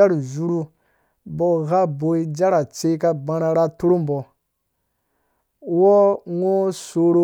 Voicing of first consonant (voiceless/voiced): voiced